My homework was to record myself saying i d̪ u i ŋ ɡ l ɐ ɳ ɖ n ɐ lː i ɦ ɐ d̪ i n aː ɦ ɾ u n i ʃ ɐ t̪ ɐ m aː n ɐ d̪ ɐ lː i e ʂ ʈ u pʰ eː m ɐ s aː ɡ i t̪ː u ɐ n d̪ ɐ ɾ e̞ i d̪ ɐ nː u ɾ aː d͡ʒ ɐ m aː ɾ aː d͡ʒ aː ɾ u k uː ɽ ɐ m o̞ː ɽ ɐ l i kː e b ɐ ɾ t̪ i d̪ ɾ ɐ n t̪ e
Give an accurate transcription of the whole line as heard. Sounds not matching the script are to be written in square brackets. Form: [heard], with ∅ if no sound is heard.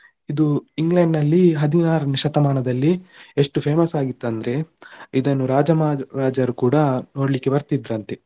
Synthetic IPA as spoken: i d̪ u i ŋ ɡ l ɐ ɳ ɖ n ɐ lː i ɦ ɐ d̪ i n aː [∅] ɾ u n i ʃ ɐ t̪ ɐ m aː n ɐ d̪ ɐ lː i e ʂ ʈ u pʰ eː m ɐ s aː ɡ i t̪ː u ɐ n d̪ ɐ ɾ e̞ i d̪ ɐ nː u ɾ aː d͡ʒ ɐ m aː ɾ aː d͡ʒ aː ɾ u k uː ɽ ɐ [n] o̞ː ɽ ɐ l i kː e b ɐ ɾ t̪ i d̪ ɾ ɐ n t̪ e